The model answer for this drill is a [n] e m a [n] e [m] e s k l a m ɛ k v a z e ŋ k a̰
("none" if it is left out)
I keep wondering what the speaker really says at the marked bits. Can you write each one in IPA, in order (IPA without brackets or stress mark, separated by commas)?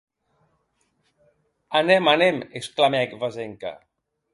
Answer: n, n, m